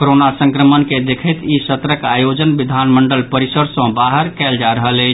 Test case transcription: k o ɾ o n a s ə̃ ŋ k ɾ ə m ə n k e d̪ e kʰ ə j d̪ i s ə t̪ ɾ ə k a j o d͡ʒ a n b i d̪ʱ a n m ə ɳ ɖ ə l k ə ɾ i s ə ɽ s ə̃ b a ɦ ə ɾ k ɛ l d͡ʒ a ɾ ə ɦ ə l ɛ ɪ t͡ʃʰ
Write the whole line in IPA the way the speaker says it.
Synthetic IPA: k o ɾ o n a s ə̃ ŋ k ɾ ə m ə n k e d̪ e kʰ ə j t̪ i s ə t̪ ɾ ə k a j o d͡ʒ ə n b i d̪ʱ a n m ə ɳ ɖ ə l p ə ɾ i s ə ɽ s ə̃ b a ɦ ə ɾ k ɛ l d͡ʒ a ɾ ə ɦ ə l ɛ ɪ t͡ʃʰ